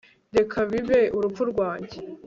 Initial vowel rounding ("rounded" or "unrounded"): unrounded